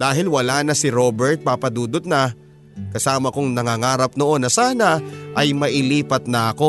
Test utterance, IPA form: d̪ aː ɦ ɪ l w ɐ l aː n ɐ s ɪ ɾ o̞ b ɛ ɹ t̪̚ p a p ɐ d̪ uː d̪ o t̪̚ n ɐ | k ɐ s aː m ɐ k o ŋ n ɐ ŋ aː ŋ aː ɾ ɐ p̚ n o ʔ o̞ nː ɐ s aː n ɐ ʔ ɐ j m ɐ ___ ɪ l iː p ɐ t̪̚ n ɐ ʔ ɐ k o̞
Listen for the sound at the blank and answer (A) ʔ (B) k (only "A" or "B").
A